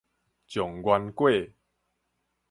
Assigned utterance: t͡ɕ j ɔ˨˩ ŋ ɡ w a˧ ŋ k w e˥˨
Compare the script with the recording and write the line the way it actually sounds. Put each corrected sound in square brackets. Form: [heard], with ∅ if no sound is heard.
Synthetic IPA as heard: t͡ɕ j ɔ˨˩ ŋ ɡ w a˧ [n] k w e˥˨